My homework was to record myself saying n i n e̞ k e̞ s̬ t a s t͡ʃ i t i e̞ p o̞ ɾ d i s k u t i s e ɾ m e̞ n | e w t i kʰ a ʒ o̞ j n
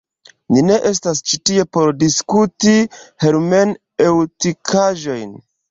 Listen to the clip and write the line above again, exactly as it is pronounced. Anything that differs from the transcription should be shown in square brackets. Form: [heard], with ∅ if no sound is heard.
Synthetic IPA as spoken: n i n e̞ [ʔ] e̞ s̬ t a s t͡ʃ i t i e̞ p o̞ ɾ d i s k u t i [h] e ɾ m e̞ n | e w t i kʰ a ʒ o̞ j n